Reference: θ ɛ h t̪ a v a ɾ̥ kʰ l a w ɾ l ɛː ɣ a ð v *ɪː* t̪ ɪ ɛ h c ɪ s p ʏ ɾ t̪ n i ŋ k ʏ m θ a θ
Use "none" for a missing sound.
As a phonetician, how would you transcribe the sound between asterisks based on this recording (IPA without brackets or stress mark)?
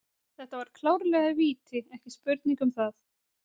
iː